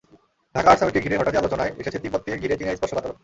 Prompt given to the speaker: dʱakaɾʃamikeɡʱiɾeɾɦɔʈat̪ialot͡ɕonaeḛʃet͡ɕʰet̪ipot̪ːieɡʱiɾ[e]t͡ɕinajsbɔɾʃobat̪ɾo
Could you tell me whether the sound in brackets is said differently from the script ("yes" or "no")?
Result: no